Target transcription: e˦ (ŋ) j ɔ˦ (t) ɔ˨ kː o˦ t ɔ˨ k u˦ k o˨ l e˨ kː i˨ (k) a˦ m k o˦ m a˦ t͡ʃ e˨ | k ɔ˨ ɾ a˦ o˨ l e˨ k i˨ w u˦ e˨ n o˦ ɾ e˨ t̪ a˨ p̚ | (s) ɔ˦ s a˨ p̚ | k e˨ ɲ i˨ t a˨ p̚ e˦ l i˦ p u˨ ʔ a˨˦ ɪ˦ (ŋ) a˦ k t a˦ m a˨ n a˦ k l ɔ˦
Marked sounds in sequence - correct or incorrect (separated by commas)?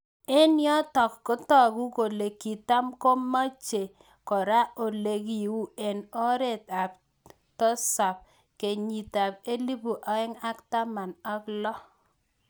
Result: incorrect, correct, incorrect, incorrect, correct